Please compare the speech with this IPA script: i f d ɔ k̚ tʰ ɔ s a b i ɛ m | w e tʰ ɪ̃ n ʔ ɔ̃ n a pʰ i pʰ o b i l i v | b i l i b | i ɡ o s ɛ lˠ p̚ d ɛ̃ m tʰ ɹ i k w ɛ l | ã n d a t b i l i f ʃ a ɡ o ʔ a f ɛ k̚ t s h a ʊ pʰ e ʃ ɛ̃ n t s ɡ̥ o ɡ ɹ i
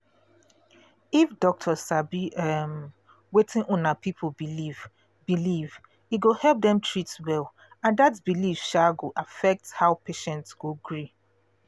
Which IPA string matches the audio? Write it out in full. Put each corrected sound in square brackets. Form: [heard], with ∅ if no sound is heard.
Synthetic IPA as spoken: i f d ɔ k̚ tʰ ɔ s a b i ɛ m | w e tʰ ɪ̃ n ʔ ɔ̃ n a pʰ i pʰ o b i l i v | b i l i [v] | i ɡ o [h] ɛ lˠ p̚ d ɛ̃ m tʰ ɹ i [t] w ɛ l | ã n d a t b i l i f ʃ a ɡ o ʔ a f ɛ k̚ t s h a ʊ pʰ e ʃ ɛ̃ n t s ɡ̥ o ɡ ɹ i